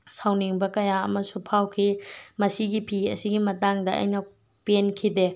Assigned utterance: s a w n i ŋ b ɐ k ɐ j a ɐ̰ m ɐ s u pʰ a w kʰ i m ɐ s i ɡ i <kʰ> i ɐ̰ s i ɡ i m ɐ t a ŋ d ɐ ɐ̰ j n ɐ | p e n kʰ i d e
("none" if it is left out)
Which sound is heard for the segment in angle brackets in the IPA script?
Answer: pʰ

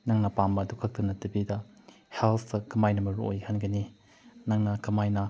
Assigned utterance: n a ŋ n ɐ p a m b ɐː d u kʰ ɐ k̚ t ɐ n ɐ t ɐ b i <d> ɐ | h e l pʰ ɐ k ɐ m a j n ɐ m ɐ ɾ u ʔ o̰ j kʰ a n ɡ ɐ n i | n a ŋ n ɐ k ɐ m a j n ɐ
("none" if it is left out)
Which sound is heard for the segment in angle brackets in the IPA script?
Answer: d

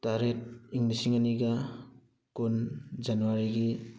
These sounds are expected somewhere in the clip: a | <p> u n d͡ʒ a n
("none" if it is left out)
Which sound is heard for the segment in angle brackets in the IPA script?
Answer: k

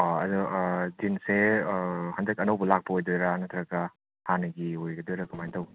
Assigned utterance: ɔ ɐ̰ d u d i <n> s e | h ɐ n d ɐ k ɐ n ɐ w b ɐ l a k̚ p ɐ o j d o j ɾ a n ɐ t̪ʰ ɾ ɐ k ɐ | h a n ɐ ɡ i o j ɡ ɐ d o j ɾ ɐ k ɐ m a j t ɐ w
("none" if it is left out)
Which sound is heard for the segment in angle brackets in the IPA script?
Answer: n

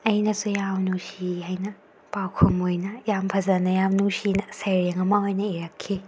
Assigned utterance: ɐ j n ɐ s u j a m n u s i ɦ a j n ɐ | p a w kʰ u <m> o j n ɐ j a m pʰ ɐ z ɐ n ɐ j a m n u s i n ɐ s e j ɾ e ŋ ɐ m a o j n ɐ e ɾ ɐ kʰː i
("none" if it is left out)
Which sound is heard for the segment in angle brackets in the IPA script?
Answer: m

